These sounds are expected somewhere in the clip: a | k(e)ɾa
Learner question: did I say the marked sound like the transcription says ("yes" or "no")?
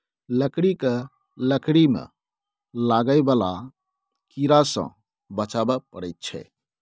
no